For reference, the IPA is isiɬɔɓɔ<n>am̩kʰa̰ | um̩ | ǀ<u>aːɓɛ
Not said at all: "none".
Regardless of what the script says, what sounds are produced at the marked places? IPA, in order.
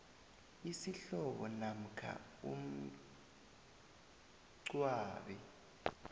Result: n, w

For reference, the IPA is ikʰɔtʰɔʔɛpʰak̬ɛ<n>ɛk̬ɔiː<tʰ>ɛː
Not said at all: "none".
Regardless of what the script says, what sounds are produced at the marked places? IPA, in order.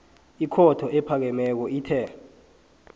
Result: m, tʰ

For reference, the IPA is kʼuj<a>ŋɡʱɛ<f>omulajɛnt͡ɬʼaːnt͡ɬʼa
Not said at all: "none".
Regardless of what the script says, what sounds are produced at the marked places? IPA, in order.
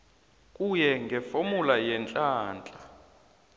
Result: ɛ, f

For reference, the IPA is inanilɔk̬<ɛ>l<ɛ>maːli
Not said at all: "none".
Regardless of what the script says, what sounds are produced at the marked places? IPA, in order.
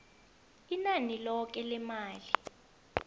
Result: ɛ, ɛ

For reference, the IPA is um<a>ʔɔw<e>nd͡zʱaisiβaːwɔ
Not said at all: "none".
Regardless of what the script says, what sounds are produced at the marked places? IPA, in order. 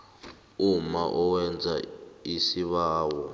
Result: a, ɛ

